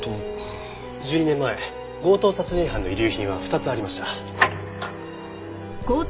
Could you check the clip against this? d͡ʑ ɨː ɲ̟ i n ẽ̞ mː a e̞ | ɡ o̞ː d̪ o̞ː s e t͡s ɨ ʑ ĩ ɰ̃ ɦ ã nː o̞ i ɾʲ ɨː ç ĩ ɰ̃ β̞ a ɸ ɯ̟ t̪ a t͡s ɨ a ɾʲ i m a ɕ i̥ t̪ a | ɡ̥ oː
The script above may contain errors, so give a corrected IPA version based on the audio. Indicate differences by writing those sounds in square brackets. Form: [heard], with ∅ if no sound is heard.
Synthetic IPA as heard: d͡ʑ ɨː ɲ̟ i n ẽ̞ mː a e̞ | ɡ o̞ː [t̪] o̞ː s [a] t͡s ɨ ʑ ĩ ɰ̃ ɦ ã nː o̞ i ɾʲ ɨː ç ĩ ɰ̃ β̞ a ɸ ɯ̟ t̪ a t͡s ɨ a ɾʲ i m a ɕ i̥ t̪ a | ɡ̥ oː